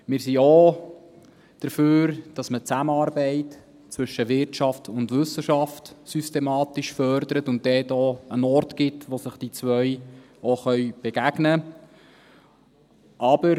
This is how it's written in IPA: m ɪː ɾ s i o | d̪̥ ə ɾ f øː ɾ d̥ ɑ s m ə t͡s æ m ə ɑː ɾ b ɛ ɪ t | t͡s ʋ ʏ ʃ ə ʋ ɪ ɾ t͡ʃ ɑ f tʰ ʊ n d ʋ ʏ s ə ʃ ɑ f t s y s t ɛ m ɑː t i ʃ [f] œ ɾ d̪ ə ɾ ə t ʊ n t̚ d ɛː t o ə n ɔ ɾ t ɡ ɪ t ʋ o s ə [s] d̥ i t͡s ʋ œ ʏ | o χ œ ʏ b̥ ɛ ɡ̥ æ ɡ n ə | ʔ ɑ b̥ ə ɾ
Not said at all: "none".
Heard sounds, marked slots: f, χ

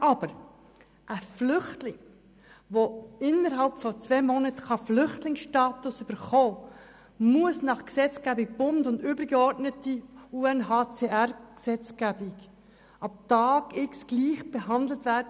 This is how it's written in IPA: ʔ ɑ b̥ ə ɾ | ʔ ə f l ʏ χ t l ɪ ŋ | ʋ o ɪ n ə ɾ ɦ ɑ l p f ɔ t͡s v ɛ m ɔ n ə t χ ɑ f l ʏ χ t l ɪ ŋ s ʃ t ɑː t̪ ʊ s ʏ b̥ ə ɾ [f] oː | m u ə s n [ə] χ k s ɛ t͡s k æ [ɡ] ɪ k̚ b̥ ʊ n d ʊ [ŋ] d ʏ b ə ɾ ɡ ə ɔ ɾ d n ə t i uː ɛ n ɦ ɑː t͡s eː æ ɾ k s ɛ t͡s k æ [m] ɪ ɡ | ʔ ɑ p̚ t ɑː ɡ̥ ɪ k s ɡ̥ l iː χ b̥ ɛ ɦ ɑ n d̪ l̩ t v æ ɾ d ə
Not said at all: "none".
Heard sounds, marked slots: χ, ɑ, b, n, b

